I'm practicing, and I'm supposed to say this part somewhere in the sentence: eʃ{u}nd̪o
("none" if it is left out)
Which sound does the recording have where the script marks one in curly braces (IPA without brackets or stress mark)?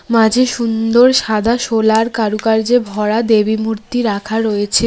u